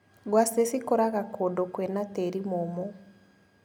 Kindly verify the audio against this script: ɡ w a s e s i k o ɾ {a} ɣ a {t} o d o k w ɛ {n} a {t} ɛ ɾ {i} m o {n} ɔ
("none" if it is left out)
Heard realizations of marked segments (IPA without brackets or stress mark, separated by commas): a, k, n, t, i, m